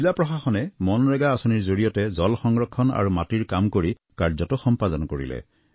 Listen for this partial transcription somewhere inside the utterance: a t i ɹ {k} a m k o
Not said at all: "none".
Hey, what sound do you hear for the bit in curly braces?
k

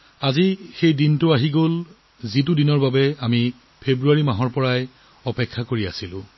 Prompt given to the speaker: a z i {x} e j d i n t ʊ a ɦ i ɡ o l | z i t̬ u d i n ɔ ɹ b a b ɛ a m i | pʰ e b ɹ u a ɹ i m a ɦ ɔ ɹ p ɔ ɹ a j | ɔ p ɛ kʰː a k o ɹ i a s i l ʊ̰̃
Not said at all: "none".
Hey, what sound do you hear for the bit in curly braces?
x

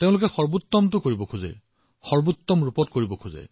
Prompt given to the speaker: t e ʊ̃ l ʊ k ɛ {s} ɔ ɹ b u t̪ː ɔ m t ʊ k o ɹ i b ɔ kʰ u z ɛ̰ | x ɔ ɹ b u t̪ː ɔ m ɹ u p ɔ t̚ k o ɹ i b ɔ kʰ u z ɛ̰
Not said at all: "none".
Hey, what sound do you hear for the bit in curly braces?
x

